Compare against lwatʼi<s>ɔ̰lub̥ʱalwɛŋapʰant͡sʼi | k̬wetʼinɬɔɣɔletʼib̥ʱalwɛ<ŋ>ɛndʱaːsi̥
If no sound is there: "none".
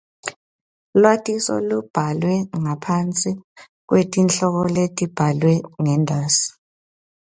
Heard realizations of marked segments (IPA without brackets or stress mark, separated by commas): s, ŋ